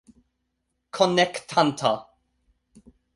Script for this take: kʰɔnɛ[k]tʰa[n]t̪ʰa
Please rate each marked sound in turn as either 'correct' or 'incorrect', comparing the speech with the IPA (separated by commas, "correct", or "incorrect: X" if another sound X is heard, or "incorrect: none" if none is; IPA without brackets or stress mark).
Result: correct, correct